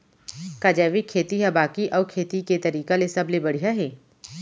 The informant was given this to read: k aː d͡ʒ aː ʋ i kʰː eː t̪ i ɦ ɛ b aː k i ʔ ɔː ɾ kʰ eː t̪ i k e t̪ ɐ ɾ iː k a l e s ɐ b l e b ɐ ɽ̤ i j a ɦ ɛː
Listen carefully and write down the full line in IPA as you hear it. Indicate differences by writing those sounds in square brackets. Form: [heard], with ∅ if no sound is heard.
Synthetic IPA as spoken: k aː d͡ʒ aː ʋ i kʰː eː t̪ i ɦ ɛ b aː k i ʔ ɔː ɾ kʰ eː t̪ i k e t̪ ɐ ɾ iː k a l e s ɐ b l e b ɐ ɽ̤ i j a ɦ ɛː